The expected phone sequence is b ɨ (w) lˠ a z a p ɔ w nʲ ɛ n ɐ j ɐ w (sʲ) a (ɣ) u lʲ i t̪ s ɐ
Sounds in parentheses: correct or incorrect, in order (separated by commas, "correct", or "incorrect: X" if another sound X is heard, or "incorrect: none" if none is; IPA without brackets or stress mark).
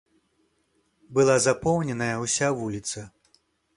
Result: incorrect: none, correct, incorrect: v